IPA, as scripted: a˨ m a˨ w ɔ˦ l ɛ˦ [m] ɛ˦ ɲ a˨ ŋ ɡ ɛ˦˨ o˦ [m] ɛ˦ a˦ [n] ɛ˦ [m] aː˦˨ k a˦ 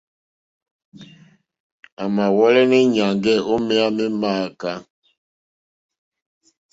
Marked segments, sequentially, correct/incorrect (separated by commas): incorrect, correct, incorrect, correct